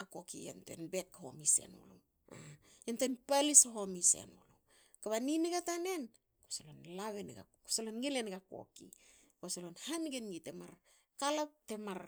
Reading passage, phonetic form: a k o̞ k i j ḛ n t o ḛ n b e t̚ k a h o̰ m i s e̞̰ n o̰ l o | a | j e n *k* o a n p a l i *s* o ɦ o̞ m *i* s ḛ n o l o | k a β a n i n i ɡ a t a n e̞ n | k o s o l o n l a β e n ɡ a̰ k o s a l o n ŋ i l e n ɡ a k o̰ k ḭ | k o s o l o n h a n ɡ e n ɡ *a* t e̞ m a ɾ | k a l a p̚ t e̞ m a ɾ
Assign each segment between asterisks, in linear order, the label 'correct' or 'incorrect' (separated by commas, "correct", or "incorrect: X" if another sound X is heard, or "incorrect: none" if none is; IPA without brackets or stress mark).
incorrect: t, correct, correct, incorrect: i